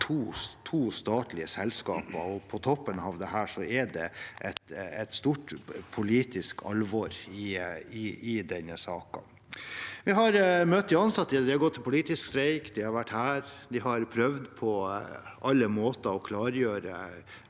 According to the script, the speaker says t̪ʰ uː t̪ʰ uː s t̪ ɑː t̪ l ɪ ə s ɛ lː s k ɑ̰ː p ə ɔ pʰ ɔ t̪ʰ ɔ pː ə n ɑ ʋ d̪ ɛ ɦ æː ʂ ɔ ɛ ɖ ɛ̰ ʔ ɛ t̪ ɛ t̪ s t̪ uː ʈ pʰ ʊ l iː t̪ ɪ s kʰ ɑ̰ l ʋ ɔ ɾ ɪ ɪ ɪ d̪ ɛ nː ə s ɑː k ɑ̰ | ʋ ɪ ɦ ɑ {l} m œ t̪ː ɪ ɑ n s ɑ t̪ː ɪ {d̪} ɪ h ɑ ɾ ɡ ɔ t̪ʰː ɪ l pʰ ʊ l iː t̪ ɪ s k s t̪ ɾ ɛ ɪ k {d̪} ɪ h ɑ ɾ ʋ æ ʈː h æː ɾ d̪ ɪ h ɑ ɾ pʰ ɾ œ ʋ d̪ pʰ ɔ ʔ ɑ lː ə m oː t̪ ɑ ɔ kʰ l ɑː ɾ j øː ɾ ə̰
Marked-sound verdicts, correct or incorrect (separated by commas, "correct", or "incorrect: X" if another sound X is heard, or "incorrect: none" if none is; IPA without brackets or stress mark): incorrect: ɾ, correct, correct